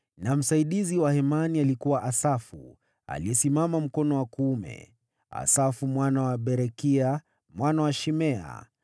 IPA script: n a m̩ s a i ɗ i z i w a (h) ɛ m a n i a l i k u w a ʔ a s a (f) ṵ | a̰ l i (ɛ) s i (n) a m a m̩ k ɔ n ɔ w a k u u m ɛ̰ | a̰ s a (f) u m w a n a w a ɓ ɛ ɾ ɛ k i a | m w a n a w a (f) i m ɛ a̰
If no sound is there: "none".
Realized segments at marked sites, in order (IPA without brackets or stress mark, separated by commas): h, f, ɛ, m, f, ʃ